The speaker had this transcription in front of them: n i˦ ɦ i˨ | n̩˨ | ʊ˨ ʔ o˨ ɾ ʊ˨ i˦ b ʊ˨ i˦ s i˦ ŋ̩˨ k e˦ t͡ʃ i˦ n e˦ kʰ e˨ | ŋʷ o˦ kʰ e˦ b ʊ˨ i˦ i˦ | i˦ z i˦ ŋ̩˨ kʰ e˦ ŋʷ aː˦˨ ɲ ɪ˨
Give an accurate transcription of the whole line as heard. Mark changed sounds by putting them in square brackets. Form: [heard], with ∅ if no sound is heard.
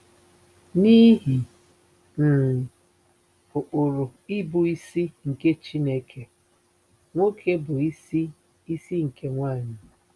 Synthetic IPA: n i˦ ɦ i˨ | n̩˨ | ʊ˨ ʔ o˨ ɾ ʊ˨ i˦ b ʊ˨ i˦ s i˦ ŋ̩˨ k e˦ t͡ʃ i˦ n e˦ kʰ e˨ | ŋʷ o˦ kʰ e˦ b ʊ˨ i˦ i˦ | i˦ [s] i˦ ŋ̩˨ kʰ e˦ ŋʷ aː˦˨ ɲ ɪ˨